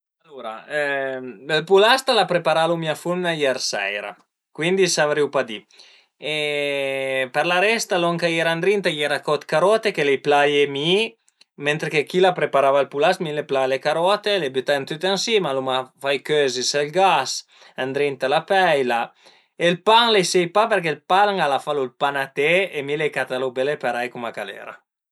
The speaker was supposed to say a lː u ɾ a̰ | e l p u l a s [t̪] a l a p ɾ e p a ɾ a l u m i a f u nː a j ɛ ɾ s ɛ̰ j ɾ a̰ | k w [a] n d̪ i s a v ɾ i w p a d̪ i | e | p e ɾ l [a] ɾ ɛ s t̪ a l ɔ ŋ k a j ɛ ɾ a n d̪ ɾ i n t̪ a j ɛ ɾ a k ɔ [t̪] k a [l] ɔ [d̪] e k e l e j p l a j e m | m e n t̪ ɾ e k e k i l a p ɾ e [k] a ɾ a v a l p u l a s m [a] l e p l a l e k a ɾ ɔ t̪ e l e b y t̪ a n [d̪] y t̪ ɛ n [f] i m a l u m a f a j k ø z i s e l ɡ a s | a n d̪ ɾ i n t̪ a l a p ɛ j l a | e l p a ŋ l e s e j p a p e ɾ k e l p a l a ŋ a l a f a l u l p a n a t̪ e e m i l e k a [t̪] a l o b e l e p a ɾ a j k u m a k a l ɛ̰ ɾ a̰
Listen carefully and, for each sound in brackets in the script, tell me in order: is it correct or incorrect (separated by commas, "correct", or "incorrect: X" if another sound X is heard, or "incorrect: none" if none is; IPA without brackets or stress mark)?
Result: correct, incorrect: i, correct, correct, incorrect: ɾ, incorrect: t̪, incorrect: p, incorrect: i, incorrect: t̪, incorrect: s, correct